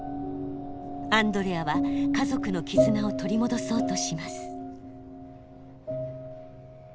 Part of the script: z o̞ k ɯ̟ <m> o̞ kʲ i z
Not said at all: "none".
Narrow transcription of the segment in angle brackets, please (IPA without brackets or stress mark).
n